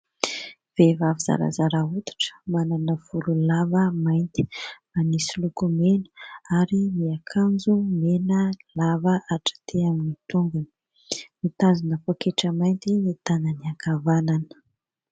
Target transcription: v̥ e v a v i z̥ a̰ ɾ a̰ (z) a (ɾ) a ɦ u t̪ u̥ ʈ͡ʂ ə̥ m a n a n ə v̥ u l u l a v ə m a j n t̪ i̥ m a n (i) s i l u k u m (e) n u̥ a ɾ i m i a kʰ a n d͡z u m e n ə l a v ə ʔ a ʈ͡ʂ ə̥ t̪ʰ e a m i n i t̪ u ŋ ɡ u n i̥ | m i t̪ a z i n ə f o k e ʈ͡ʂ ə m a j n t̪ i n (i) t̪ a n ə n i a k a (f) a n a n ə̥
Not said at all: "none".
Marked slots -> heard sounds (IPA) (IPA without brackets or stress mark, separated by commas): z, ɾ, i, e, i, v